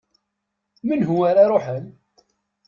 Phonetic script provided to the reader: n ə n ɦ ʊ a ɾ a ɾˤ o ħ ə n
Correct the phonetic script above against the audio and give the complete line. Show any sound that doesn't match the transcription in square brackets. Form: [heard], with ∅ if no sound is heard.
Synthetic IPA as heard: [m] ə n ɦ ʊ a ɾ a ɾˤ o ħ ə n